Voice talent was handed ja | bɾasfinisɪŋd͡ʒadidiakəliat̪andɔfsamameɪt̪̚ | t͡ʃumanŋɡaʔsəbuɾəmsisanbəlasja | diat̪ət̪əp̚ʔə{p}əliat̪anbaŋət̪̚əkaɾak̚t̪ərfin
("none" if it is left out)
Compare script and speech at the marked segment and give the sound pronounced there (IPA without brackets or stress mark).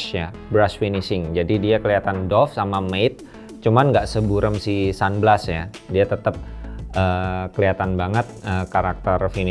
k